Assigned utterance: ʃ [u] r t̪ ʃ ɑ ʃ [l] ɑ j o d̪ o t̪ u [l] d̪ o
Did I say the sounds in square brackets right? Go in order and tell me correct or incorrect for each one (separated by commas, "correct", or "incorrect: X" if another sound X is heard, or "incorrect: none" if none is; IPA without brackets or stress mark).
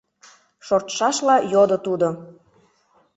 incorrect: o, correct, incorrect: none